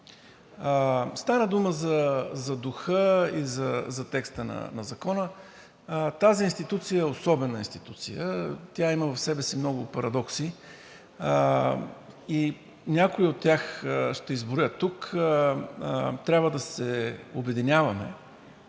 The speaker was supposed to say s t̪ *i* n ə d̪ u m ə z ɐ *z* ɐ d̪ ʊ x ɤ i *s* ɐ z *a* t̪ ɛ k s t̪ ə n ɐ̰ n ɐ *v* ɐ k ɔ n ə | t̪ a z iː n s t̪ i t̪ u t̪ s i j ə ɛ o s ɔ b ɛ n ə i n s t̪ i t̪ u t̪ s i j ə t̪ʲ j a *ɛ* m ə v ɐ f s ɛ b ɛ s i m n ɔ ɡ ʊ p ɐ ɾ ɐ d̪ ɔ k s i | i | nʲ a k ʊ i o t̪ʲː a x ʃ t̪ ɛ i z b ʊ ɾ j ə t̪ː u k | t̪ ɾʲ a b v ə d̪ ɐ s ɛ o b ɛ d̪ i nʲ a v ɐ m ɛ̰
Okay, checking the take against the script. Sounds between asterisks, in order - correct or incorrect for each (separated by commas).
incorrect, correct, incorrect, incorrect, incorrect, incorrect